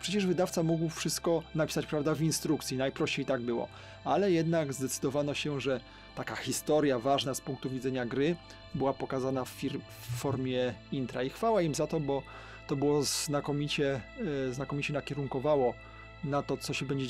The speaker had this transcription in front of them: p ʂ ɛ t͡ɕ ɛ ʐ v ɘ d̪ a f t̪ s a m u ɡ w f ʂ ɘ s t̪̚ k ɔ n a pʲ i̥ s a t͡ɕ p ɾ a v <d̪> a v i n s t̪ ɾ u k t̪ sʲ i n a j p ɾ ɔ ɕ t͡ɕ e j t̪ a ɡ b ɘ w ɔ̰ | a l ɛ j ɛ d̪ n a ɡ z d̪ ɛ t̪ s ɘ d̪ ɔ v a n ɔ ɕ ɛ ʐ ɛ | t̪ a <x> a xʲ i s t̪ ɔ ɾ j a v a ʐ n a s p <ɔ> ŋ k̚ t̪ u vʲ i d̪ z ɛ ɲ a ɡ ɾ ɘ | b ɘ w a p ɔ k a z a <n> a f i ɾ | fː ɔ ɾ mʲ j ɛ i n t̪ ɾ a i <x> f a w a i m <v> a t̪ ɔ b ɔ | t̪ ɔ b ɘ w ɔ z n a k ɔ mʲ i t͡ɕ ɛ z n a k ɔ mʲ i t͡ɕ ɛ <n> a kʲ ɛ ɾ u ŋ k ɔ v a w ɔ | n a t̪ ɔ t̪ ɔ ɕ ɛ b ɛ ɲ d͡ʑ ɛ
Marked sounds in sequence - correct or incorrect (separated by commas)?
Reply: correct, incorrect, incorrect, correct, correct, incorrect, correct